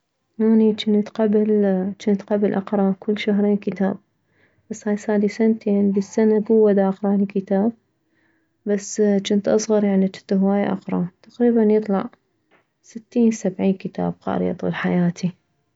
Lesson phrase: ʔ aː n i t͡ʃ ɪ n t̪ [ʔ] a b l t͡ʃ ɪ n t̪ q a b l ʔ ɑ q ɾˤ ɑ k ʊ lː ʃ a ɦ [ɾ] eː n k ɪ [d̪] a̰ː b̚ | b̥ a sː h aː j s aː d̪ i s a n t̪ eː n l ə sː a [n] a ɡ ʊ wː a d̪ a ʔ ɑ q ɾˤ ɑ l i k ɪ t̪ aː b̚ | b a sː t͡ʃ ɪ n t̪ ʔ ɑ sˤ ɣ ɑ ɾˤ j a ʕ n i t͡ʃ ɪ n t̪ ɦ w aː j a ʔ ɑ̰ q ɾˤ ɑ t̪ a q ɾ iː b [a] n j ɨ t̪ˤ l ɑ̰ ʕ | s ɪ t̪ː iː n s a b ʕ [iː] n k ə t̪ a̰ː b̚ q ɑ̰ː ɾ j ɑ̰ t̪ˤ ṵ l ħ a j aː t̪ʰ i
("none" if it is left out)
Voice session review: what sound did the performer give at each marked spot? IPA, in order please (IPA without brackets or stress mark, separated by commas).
q, ɾ, t̪, n, a, iː